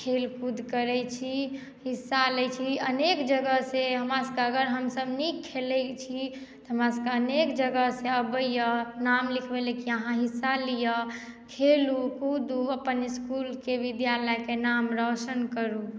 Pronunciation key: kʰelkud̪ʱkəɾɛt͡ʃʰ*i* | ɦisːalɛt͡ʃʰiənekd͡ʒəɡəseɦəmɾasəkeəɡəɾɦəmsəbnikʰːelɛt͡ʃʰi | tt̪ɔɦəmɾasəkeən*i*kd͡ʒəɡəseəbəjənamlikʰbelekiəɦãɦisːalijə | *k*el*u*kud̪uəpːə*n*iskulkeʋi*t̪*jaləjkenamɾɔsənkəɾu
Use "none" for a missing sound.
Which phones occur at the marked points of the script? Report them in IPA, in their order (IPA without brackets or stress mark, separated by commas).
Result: i, e, kʰ, u, n, d̪